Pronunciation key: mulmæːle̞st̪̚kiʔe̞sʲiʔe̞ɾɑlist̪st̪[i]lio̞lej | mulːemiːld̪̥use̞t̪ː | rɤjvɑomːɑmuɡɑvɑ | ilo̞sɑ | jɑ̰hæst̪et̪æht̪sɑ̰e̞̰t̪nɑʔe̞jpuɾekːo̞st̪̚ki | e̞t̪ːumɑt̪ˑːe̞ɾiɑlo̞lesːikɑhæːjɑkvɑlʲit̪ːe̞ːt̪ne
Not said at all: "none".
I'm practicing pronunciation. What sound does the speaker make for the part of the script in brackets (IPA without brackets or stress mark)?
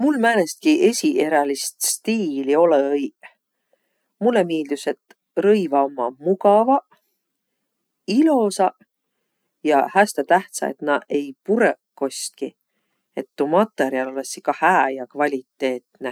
iː